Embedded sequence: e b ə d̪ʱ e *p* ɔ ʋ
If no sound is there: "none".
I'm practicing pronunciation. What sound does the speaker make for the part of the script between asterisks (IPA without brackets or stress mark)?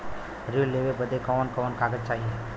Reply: k